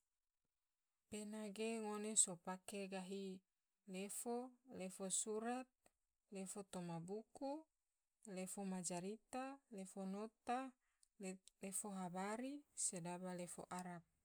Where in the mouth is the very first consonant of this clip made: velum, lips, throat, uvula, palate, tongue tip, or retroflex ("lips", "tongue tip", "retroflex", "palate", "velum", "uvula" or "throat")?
lips